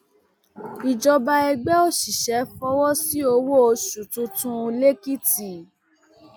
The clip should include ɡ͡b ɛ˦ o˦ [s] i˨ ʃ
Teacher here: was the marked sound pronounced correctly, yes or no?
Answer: no